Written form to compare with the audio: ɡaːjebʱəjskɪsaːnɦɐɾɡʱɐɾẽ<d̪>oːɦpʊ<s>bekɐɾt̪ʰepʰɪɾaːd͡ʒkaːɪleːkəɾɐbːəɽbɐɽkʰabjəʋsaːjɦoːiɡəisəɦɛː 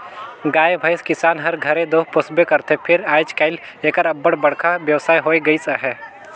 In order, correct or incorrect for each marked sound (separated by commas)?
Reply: correct, correct